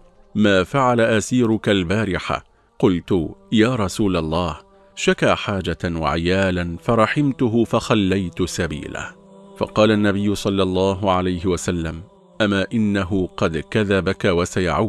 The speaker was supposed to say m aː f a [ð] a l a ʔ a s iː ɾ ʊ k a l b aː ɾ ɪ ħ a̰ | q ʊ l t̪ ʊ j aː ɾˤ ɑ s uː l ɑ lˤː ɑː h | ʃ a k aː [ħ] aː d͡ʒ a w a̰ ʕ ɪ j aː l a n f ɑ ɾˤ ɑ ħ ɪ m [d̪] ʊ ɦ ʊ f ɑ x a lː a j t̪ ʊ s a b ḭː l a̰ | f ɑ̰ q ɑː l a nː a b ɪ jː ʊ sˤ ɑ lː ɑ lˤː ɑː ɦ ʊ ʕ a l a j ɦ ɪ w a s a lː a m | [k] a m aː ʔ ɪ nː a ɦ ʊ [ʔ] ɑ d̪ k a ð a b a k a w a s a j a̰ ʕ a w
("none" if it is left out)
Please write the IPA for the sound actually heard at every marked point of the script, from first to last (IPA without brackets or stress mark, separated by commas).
ʕ, ħ, t̪, ʔ, q